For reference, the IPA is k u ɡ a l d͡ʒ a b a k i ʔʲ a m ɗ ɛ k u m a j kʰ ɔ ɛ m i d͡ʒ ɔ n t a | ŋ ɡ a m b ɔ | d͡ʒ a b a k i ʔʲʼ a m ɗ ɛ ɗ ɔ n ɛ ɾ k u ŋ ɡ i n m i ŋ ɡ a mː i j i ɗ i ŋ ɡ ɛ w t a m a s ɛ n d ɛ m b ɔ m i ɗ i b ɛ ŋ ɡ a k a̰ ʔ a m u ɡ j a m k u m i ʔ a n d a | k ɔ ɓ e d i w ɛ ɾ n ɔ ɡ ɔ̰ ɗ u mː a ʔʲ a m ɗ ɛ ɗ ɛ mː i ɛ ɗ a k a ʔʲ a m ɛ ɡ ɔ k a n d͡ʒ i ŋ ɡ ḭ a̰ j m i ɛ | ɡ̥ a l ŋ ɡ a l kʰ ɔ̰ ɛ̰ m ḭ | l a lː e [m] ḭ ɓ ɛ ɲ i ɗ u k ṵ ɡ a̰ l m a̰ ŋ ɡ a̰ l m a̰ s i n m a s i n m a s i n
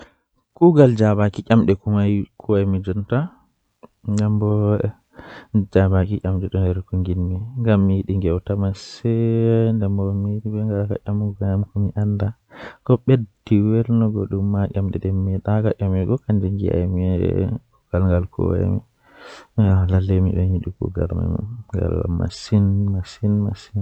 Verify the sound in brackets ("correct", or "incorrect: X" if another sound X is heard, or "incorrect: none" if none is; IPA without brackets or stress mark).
correct